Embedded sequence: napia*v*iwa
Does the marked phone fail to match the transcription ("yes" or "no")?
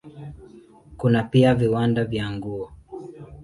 no